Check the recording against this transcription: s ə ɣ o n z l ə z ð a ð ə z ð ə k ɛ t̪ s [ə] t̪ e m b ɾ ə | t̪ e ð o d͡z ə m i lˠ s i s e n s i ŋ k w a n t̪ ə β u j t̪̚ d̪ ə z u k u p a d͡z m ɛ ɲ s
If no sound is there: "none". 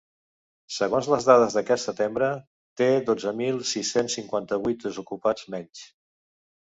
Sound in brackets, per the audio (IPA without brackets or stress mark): ə